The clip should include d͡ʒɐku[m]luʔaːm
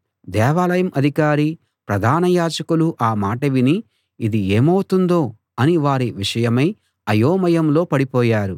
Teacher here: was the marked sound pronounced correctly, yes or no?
no